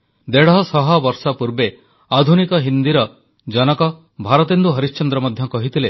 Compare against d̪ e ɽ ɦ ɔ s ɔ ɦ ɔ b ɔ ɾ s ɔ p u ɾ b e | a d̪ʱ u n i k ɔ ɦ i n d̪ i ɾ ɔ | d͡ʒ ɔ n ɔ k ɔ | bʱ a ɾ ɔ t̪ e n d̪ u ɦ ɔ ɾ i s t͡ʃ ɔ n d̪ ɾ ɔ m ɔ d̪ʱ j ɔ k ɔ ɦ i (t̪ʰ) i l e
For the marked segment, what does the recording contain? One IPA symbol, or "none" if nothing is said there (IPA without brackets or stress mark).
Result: t̪